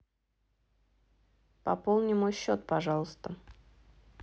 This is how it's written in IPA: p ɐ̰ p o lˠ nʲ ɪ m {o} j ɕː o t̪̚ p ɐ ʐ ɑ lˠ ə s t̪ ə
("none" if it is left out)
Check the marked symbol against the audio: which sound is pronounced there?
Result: o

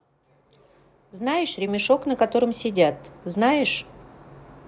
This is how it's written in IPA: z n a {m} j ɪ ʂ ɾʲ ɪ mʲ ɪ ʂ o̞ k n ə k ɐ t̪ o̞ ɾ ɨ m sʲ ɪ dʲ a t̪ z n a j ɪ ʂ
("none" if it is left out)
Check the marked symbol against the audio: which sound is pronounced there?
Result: none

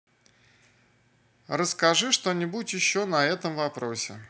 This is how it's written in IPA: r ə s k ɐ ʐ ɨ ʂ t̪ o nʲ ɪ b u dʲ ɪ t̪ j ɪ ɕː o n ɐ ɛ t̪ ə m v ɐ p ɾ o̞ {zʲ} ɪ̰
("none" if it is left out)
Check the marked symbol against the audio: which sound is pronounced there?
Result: sʲ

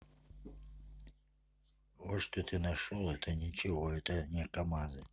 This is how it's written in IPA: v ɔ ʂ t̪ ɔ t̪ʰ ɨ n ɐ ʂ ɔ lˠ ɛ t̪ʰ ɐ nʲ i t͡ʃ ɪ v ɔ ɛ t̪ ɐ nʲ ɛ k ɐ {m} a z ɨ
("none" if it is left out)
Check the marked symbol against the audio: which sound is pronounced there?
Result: m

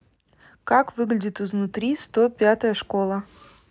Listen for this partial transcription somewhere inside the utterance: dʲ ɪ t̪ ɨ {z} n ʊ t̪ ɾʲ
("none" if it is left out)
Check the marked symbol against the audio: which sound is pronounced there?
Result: z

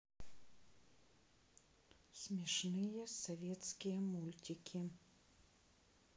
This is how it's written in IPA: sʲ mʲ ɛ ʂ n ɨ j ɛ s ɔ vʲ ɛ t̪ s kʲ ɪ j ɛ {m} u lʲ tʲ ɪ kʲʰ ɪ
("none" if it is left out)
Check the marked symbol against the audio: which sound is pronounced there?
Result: m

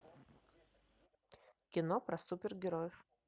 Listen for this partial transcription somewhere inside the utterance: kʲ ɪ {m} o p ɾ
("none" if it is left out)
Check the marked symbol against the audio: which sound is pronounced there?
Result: n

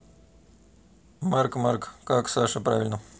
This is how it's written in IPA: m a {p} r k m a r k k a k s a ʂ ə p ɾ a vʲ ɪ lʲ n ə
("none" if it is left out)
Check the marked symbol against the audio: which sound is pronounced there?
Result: none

